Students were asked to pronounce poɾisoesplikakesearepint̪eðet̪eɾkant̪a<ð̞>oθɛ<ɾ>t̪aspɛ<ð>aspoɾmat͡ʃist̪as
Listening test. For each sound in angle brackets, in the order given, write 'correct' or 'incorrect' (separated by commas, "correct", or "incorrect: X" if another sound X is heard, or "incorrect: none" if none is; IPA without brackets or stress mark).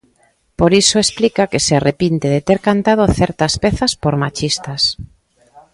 correct, correct, incorrect: θ